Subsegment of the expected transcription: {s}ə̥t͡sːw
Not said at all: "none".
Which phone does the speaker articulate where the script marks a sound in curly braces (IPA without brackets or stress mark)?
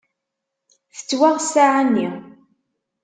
θ